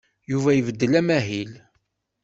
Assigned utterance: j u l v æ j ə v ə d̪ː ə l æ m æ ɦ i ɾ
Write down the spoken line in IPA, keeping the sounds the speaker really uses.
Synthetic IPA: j u v æ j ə v ə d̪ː ə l æ m æ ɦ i l